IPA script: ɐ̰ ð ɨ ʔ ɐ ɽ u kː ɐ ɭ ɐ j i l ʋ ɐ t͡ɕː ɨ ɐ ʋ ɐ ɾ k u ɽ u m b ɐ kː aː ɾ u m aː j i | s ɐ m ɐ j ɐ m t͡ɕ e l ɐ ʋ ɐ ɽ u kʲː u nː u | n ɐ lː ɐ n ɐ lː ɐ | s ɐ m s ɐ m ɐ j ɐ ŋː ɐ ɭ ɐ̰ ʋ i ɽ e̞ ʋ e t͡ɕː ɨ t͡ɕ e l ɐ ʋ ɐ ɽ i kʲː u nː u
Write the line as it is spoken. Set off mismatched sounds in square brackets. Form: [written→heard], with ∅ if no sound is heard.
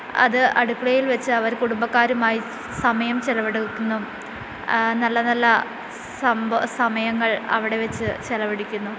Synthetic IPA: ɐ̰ ð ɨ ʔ ɐ ɽ u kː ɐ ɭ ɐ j i l ʋ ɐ t͡ɕː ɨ ɐ ʋ ɐ ɾ k u ɽ u m b ɐ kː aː ɾ u m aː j i | s ɐ m ɐ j ɐ m t͡ɕ e l ɐ ʋ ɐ ɽ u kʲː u nː u | n ɐ lː ɐ n ɐ lː ɐ | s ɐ m s ɐ m ɐ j ɐ ŋː ɐ ɭ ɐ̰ ʋ i ɽ e̞ ʋ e t͡ɕː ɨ t͡ɕ e l ɐ ʋ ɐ ɽ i kʲː u nː u